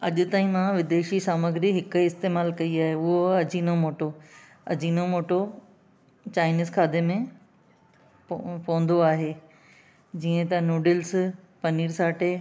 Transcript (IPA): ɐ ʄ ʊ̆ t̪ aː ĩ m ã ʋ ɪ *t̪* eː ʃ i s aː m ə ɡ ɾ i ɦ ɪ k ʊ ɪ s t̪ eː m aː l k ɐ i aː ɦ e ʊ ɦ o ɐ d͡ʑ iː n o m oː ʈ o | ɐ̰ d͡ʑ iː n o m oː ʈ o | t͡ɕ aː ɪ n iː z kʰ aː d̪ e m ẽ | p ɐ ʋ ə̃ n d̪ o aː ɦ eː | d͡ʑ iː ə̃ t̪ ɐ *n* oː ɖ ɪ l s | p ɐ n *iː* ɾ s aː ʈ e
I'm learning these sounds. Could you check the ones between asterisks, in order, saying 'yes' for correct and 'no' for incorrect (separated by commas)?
no, yes, yes